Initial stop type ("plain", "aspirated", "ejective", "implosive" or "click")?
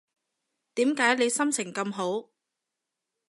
plain